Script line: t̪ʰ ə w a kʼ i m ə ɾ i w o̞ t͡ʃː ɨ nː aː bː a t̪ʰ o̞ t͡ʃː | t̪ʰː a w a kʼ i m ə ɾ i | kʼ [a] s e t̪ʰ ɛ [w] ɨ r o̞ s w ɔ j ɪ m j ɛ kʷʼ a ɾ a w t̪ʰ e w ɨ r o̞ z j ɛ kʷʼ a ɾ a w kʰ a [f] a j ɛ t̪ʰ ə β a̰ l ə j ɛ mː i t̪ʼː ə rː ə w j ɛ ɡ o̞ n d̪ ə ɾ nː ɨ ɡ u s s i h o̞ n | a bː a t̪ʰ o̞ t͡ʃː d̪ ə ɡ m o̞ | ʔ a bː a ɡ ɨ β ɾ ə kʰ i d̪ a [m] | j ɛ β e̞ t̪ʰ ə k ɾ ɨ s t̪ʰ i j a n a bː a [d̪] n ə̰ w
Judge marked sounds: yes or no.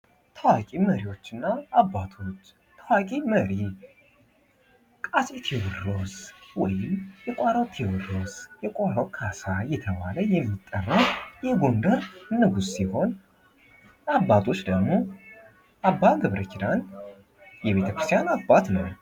yes, yes, no, no, no

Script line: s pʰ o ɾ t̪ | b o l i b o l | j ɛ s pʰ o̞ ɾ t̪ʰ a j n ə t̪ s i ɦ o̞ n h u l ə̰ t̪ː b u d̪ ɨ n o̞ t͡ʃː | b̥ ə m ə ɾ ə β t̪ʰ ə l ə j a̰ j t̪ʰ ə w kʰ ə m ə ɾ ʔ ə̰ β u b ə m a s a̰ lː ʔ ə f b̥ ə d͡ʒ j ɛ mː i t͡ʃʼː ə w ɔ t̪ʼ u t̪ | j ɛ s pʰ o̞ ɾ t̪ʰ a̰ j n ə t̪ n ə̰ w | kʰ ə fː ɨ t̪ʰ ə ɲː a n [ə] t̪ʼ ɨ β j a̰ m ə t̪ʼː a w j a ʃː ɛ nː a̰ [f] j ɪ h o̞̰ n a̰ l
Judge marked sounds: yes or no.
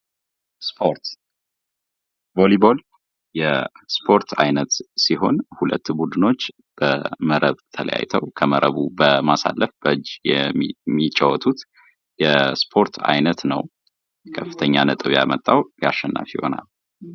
yes, yes

